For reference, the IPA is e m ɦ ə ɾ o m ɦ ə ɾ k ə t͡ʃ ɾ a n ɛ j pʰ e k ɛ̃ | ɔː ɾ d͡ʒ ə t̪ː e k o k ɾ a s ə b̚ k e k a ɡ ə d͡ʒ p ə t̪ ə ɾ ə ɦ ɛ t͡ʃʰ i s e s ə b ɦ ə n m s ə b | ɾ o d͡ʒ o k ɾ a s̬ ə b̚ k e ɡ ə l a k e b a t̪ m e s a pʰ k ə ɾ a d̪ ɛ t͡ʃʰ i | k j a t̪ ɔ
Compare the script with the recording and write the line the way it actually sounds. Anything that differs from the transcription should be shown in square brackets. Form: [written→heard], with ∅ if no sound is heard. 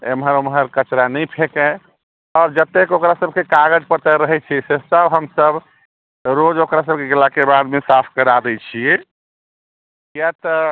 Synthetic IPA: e m ɦ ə ɾ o m ɦ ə ɾ k ə t͡ʃ ɾ a n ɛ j pʰ e k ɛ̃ | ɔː ɾ d͡ʒ ə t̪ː e k o k ɾ a s ə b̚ k e k a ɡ ə d͡ʒ p ə t̪ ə ɾ ə ɦ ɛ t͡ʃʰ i s e s ə b ɦ ə [n→∅] m s ə b | ɾ o d͡ʒ o k ɾ a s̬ ə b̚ k e ɡ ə l a k e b a [t̪→d̪] m e s a pʰ k ə ɾ a d̪ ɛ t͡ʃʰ i | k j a t̪ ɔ